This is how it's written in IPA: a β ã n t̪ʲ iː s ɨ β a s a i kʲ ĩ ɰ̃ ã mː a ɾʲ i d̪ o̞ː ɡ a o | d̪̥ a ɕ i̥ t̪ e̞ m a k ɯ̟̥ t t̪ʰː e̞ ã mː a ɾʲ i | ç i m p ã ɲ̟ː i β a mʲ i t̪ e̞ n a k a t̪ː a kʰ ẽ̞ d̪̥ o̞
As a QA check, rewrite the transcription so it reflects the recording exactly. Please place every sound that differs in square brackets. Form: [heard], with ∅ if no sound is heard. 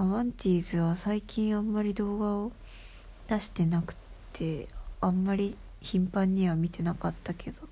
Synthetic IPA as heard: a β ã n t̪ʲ iː [z] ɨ β a s a i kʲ ĩ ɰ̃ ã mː a ɾʲ i d̪ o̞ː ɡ a o | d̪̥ a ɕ i̥ t̪ e̞ [n] a k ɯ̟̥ t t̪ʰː e̞ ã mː a ɾʲ i | ç [ĩ] m p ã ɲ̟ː i β a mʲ i t̪ e̞ n a k a t̪ː a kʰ [e̞] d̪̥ o̞